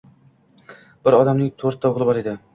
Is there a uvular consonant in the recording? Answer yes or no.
yes